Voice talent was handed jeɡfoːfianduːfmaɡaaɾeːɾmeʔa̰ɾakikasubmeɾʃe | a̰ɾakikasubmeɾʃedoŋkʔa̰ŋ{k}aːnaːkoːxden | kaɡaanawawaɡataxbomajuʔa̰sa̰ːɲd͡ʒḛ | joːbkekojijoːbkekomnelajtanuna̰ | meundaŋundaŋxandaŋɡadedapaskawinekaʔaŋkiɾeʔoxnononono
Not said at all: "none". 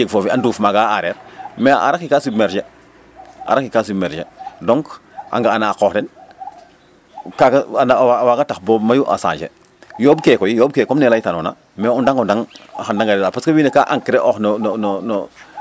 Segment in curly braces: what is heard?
ɡ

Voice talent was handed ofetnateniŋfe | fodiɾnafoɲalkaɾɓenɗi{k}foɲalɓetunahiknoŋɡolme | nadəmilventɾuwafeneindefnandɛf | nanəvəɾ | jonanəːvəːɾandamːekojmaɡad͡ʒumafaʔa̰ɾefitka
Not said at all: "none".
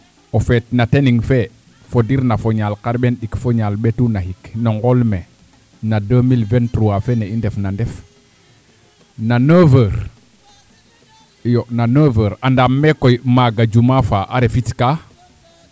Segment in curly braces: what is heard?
k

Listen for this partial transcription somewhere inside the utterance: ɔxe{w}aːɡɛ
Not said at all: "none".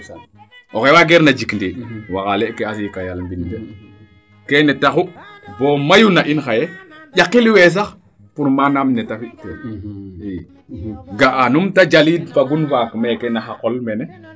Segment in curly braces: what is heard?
w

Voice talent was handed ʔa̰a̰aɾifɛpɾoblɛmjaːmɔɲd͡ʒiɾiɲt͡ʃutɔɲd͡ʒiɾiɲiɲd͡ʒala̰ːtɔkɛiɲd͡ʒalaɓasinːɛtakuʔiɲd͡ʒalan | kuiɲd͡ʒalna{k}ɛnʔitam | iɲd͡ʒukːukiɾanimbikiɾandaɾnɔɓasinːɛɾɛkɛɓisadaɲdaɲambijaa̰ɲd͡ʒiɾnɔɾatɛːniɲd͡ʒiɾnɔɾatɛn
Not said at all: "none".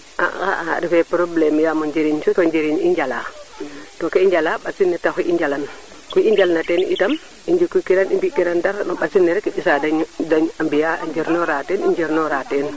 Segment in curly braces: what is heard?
t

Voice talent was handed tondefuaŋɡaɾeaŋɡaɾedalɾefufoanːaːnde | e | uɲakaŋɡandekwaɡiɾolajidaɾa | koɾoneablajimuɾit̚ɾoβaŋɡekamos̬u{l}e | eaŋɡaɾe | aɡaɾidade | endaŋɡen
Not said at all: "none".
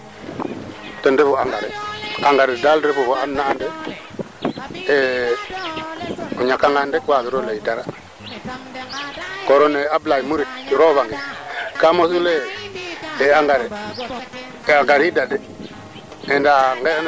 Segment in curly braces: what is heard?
l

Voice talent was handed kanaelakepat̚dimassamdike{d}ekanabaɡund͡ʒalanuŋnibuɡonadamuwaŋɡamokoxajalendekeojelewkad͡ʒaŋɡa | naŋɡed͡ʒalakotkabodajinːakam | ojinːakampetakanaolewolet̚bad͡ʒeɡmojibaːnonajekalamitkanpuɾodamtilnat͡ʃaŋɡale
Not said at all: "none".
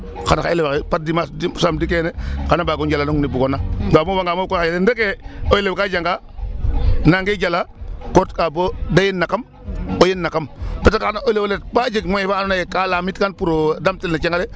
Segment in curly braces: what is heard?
n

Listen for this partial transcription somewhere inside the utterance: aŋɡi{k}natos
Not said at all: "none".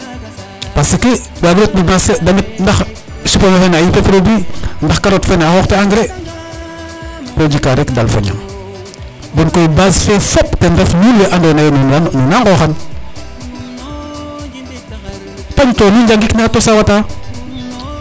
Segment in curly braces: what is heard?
k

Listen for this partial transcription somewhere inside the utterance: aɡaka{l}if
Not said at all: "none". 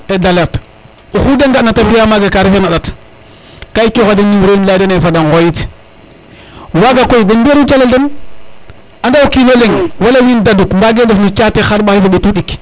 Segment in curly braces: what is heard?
ɾ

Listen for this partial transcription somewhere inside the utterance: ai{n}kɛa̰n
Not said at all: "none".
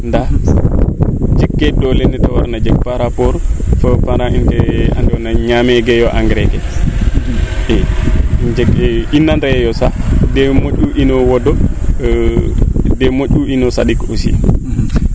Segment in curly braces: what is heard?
n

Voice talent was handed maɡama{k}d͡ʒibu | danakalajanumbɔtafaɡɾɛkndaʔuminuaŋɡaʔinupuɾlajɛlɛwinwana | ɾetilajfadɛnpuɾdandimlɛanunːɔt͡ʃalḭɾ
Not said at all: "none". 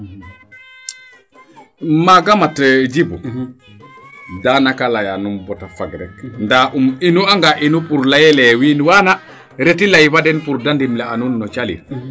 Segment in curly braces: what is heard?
t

